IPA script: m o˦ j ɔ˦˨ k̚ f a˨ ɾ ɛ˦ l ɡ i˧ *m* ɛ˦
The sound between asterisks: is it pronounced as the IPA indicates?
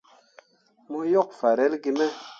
yes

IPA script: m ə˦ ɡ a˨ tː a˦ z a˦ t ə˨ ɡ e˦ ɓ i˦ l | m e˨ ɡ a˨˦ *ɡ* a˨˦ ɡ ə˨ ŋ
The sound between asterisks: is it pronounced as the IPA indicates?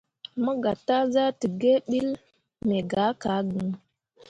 no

